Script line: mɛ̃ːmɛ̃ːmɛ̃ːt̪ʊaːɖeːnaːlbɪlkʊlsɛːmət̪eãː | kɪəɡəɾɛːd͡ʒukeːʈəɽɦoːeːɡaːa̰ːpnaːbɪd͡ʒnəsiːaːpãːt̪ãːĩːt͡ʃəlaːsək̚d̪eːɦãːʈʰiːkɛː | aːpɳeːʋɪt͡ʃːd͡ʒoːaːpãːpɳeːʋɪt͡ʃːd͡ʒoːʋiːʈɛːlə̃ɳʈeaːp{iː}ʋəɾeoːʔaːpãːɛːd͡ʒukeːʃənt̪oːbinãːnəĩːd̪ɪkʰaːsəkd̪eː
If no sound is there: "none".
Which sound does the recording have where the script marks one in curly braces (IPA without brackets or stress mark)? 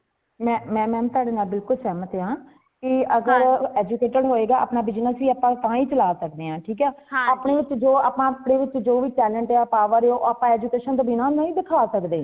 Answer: aː